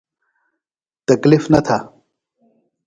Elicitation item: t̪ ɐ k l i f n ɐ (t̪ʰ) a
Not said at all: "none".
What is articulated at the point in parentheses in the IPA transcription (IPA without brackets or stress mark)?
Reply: t̪ʰ